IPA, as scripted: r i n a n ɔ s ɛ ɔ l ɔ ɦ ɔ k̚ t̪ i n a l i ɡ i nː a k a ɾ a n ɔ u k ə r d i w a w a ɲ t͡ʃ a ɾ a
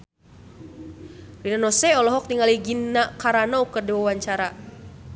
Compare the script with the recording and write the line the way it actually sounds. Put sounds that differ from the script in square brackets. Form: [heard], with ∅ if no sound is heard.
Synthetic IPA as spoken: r i n a n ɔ s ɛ ɔ l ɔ ɦ ɔ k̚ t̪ i [ŋ] a l i ɡ i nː a k a ɾ a n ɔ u k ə r d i w a w a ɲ t͡ʃ a ɾ a